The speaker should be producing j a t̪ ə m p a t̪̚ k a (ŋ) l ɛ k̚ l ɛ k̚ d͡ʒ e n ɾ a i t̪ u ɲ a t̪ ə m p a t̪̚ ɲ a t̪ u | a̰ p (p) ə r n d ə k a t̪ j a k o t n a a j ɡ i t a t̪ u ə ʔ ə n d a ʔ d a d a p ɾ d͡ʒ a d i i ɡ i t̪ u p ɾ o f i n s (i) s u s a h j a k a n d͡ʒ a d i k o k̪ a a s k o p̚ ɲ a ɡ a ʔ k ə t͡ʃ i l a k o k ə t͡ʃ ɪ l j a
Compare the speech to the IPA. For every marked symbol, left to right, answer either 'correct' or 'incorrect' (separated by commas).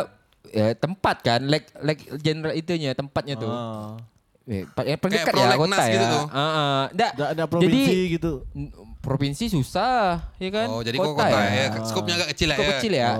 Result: incorrect, correct, correct